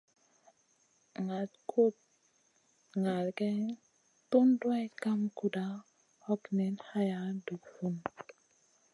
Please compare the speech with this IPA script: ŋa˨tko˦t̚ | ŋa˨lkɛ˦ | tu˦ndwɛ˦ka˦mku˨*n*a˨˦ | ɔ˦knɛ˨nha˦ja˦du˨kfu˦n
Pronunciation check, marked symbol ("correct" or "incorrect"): incorrect